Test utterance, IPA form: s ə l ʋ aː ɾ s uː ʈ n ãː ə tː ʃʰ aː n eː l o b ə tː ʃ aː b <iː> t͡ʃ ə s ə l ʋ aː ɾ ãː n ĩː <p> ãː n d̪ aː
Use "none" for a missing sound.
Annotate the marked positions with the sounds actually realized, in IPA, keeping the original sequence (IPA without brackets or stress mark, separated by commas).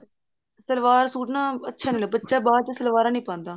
aː, p